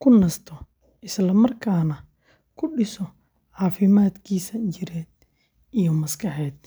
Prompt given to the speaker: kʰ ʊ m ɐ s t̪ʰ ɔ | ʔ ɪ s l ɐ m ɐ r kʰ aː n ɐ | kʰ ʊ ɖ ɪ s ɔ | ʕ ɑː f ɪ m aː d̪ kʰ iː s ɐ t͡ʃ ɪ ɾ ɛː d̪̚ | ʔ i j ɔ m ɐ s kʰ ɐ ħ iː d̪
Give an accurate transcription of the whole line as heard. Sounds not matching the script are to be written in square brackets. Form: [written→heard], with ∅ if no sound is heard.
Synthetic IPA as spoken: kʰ ʊ [m→n] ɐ s t̪ʰ ɔ | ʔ ɪ s l ɐ m ɐ r kʰ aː n ɐ | kʰ ʊ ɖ ɪ s ɔ | ʕ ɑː f ɪ m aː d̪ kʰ iː s ɐ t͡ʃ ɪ ɾ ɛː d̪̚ | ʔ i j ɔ m ɐ s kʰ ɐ ħ [iː→ɛː] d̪